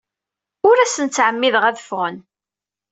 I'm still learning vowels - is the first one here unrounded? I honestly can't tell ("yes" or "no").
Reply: no